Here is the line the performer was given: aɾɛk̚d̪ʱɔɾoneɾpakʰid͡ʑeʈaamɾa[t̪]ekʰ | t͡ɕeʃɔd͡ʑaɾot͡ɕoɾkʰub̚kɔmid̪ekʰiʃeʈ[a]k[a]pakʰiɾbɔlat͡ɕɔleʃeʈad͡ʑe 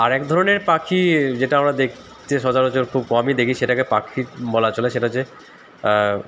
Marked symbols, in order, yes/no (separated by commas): no, yes, no